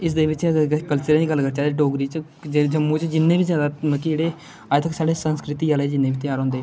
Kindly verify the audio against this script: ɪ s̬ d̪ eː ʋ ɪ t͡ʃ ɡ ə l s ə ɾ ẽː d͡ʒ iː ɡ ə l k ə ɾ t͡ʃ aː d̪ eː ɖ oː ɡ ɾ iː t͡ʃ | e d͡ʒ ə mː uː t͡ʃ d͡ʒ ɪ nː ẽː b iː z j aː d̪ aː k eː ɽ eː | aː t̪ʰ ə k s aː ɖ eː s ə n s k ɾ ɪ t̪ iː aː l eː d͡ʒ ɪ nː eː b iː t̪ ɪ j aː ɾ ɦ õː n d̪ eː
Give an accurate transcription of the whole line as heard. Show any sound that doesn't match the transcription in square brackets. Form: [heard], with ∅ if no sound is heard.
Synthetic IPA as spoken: ɪ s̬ d̪ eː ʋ ɪ t͡ʃ [k] ə l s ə ɾ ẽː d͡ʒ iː ɡ ə l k ə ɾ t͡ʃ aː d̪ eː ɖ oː ɡ ɾ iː t͡ʃ | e d͡ʒ ə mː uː t͡ʃ d͡ʒ ɪ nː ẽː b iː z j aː d̪ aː k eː ɽ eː | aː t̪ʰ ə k s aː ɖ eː s ə n s k ɾ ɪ t̪ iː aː l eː d͡ʒ ɪ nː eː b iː t̪ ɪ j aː ɾ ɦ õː n d̪ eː